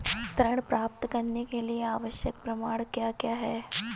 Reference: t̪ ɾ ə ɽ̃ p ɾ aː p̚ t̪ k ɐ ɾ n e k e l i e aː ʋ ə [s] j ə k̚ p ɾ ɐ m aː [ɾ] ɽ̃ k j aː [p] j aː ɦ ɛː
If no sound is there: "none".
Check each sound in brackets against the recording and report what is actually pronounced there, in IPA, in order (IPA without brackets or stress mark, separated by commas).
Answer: ʃ, none, k